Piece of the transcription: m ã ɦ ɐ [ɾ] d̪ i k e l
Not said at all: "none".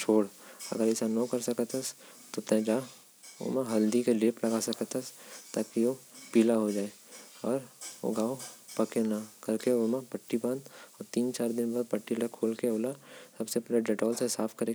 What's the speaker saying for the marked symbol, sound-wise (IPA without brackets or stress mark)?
l